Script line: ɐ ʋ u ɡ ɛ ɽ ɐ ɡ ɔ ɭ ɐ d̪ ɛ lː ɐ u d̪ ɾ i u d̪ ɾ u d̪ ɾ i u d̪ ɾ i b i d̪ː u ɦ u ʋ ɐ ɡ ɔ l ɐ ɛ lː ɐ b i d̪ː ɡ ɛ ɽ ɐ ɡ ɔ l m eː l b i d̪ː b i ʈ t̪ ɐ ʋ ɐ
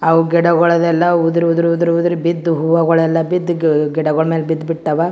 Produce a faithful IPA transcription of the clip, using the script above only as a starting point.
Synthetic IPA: ɐ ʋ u ɡ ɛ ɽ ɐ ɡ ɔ ɭ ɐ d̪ ɛ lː ɐ u d̪ ɾ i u d̪ ɾ u d̪ ɾ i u d̪ ɾ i b i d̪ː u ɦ u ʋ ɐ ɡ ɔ ɭ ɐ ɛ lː ɐ b i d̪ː ɡ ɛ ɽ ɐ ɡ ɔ ɭ m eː l b i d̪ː b i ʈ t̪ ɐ ʋ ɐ